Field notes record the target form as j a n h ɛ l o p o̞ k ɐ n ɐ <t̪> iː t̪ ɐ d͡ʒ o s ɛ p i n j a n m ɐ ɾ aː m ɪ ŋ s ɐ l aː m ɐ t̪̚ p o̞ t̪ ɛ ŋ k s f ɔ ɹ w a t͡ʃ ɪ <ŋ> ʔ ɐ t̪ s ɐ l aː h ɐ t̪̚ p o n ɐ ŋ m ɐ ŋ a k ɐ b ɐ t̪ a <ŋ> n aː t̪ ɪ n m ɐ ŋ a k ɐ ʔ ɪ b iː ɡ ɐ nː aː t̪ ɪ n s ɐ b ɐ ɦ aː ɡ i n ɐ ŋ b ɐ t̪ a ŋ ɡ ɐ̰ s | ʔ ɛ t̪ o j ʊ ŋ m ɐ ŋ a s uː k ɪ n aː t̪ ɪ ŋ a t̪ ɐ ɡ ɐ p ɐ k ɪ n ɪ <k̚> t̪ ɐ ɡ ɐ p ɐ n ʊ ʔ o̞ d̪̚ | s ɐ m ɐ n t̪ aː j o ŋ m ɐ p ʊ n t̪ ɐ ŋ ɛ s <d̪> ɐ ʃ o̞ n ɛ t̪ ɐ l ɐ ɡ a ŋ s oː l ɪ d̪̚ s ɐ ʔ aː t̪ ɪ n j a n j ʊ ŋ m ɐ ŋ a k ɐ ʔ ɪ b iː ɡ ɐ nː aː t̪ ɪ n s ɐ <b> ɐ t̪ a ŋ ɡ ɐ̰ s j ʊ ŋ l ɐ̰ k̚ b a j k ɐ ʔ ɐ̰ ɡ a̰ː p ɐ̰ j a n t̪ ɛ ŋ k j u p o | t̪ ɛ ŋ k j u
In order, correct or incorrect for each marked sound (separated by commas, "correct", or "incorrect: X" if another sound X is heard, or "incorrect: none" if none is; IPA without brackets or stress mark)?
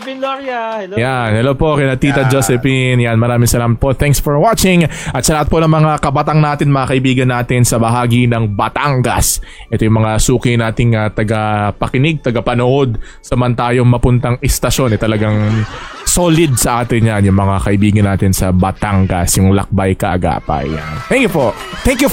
correct, correct, correct, incorrect: ɡ̚, incorrect: t̪, correct